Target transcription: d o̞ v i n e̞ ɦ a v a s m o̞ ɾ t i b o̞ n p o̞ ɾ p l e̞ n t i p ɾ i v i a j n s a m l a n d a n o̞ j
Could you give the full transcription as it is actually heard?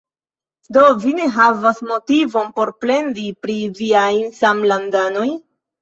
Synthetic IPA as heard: d o̞ v i n e̞ ɦ a v a s m o̞ t i v o̞ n p o̞ ɾ p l e̞ n d i p ɾ i v i a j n s a m l a n d a n o̞ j